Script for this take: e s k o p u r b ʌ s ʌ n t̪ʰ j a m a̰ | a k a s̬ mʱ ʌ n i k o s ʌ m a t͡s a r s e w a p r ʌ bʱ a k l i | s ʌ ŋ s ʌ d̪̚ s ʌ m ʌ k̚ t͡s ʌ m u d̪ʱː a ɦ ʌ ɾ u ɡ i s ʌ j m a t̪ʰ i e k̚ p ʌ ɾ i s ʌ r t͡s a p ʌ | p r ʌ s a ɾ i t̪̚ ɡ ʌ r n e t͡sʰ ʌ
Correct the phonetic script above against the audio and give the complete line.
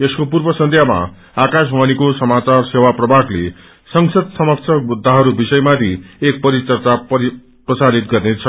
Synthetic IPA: e s k o p u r b ʌ s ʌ n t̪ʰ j a m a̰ | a k a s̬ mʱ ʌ n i k o s ʌ m a t͡s a r s e w a p r ʌ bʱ a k l e | s ʌ ŋ s ʌ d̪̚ s ʌ m ʌ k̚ t͡sʰ ʌ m u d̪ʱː a ɦ ʌ ɾ u b i s ʌ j m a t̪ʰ i e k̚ p ʌ ɾ i t͡s ʌ r t͡s a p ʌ | p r ʌ s a ɾ i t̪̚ ɡ ʌ r n e t͡sʰ ʌ